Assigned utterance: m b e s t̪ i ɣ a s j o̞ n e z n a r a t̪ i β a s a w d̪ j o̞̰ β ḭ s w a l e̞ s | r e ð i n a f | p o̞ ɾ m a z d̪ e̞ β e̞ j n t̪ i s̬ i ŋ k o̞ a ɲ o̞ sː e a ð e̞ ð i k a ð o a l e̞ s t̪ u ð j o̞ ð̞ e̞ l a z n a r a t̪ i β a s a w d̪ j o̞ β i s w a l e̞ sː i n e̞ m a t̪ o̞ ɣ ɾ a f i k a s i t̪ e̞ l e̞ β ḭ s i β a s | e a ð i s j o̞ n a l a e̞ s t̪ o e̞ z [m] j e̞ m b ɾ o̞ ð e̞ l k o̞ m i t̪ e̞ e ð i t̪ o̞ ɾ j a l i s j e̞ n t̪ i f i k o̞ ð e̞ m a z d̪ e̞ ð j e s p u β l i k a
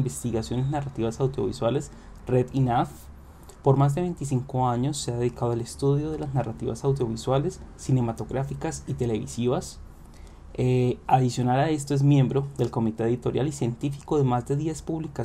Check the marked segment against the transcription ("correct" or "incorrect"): correct